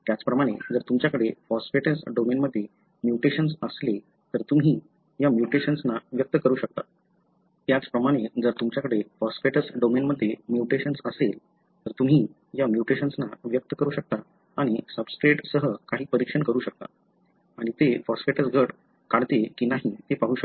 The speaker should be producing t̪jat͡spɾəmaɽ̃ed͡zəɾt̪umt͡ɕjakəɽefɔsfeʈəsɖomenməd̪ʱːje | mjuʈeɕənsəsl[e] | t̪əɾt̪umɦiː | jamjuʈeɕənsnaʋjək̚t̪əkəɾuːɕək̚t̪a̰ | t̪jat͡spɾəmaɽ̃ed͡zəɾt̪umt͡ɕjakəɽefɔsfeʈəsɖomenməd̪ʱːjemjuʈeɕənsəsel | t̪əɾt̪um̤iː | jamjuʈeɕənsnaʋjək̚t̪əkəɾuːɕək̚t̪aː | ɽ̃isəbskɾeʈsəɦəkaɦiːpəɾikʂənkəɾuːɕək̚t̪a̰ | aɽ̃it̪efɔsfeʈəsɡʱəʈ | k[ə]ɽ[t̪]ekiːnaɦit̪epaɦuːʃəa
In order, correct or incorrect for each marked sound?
correct, incorrect, correct

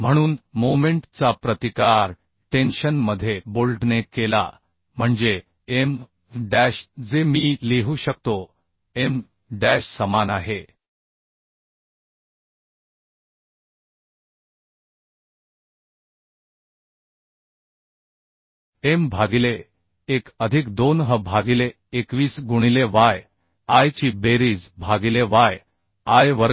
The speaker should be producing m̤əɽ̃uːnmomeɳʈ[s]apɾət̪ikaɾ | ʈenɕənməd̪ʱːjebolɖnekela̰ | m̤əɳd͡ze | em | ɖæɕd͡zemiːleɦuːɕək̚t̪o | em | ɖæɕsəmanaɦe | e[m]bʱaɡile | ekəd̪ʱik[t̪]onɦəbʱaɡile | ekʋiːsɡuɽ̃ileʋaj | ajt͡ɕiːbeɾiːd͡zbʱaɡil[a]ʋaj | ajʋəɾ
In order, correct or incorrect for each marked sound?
incorrect, correct, incorrect, incorrect

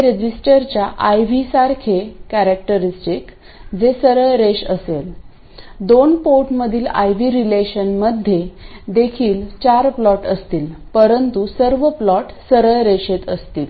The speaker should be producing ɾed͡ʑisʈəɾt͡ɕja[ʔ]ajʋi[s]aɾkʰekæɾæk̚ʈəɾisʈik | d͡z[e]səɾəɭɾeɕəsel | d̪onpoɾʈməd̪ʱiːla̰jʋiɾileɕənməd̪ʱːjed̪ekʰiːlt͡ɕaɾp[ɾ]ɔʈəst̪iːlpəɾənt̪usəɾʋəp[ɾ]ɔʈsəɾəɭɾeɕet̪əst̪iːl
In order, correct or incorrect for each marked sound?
correct, correct, correct, incorrect, incorrect

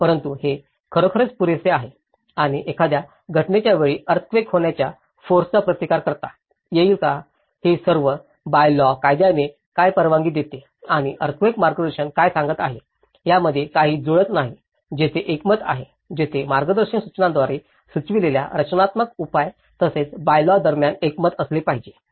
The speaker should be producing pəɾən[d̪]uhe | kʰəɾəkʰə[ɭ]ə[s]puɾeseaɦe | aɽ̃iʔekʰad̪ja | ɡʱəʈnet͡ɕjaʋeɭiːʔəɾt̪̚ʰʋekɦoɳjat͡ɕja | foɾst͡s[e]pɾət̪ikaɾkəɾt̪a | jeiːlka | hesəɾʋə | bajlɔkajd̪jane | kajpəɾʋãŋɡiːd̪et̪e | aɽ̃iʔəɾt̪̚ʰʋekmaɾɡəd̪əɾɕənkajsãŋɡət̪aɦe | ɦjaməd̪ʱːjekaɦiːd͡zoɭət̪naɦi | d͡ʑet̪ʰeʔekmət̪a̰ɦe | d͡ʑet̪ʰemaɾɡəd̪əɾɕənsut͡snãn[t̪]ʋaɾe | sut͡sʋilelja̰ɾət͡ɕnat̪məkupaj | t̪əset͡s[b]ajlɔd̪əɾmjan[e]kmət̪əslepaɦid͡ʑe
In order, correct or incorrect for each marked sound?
incorrect, incorrect, incorrect, incorrect, incorrect, correct, correct

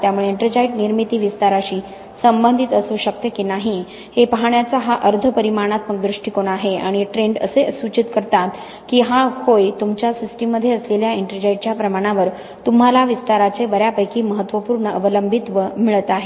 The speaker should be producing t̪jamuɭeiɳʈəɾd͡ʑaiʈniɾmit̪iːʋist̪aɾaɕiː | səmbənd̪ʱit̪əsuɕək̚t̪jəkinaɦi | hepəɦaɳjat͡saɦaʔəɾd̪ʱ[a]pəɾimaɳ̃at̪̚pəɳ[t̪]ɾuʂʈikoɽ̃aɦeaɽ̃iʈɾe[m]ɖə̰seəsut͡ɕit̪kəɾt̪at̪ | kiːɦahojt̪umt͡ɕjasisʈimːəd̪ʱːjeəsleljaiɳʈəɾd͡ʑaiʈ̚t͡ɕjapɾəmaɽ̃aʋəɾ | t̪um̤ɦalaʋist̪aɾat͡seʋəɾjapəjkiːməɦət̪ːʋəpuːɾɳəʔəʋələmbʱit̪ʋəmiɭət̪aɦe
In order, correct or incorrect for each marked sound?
incorrect, incorrect, incorrect

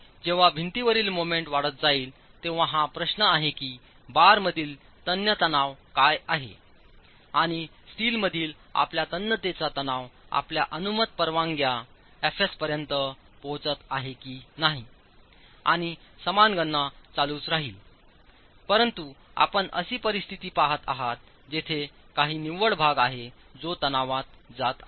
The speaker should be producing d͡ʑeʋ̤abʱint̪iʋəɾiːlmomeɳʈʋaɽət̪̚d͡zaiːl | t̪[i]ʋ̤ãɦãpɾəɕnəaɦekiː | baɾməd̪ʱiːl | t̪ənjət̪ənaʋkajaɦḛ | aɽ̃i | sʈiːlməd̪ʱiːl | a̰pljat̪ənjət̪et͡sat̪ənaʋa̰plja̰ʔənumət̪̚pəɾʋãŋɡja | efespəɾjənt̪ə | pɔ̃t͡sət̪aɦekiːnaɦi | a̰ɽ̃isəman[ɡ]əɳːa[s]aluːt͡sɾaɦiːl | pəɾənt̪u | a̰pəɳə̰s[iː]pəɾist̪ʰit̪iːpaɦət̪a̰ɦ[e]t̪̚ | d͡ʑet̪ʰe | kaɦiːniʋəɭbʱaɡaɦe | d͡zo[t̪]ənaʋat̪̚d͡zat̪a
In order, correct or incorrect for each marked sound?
incorrect, correct, incorrect, correct, incorrect, correct

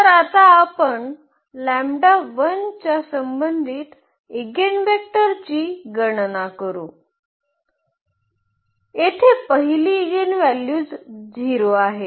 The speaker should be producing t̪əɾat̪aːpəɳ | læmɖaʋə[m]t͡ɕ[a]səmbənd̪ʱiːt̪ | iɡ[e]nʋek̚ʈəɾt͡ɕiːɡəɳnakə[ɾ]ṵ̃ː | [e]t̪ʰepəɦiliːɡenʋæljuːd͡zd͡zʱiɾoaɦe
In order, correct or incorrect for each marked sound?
incorrect, correct, correct, correct, correct

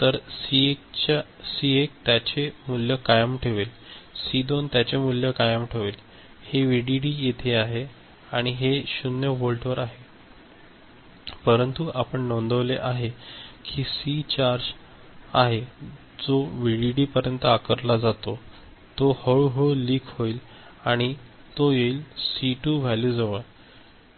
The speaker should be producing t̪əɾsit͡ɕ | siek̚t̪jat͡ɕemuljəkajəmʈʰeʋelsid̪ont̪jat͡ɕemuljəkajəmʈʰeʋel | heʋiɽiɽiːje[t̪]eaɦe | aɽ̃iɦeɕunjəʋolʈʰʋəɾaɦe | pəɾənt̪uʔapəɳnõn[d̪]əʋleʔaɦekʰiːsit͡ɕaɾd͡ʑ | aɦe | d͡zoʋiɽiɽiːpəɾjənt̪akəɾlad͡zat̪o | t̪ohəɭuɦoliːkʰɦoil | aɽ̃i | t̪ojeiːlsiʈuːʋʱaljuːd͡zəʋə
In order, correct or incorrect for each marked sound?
incorrect, correct

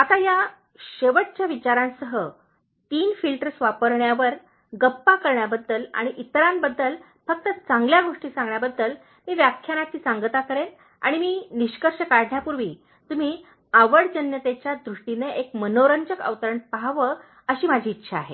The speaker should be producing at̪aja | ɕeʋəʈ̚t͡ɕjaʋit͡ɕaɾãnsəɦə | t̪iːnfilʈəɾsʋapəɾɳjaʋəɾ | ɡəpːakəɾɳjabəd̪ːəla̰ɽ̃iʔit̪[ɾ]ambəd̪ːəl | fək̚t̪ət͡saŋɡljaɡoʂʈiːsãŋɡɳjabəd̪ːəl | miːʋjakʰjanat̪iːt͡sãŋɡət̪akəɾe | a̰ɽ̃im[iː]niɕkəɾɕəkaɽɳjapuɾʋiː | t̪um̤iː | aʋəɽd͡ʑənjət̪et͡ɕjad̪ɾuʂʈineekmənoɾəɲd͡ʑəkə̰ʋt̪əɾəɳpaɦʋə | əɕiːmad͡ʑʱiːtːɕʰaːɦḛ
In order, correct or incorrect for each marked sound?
correct, correct

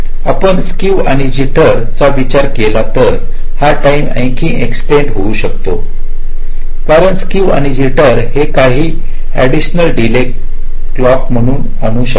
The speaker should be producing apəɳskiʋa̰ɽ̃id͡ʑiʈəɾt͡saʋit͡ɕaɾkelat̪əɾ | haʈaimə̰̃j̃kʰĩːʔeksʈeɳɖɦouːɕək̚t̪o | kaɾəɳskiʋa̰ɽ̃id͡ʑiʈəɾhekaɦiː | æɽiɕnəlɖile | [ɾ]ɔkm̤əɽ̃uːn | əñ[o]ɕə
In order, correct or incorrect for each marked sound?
incorrect, incorrect

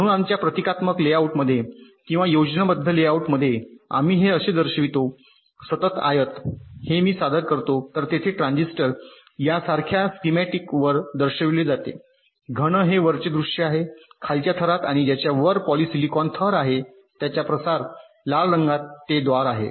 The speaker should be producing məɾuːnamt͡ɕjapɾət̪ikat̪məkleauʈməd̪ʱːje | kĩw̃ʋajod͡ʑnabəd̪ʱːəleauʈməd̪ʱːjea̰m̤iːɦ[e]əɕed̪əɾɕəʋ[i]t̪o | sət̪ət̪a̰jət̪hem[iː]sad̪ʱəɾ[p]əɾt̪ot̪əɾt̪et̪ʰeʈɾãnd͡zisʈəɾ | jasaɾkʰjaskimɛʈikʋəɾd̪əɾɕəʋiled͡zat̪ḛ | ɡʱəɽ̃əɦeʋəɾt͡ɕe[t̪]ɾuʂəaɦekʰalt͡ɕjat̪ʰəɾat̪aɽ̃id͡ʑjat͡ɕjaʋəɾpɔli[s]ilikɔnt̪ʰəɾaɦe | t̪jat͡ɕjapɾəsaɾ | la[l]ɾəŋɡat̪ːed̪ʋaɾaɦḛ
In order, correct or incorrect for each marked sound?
correct, correct, correct, incorrect, incorrect, correct, incorrect

